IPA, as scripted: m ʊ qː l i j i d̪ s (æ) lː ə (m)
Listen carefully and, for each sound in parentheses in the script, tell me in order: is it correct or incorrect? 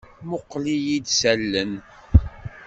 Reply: correct, incorrect

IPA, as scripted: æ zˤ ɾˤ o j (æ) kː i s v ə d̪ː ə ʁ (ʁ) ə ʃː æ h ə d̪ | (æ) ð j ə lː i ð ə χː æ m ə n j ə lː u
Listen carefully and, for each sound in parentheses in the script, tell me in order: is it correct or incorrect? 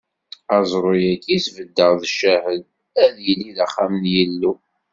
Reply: correct, incorrect, correct

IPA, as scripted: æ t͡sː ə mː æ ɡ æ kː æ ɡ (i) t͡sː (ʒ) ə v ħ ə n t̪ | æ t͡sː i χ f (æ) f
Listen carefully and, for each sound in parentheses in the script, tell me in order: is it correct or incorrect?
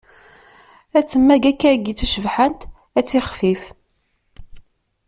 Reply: correct, incorrect, incorrect

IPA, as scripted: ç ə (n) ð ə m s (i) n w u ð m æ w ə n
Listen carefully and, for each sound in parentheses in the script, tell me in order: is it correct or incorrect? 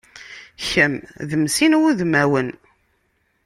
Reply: incorrect, correct

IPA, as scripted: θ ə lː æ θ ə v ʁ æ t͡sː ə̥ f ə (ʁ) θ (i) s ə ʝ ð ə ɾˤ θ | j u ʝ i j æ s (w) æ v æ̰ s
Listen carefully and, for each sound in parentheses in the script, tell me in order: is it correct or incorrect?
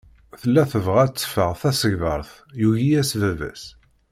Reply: correct, incorrect, incorrect

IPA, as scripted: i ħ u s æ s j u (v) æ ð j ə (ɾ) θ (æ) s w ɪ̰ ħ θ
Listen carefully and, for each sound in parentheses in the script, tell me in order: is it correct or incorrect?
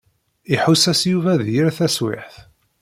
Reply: correct, correct, correct

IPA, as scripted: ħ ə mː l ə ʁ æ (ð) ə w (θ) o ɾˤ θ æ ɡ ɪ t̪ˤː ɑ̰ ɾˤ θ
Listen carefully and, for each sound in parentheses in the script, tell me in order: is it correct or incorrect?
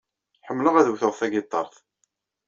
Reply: correct, correct

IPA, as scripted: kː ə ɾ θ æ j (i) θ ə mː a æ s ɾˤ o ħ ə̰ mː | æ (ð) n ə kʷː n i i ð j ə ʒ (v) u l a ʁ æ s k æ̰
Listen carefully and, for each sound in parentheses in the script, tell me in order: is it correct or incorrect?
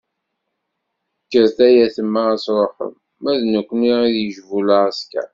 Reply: incorrect, correct, correct

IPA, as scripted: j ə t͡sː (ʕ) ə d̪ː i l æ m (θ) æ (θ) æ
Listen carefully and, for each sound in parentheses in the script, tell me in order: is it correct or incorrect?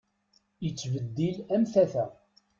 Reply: incorrect, correct, correct

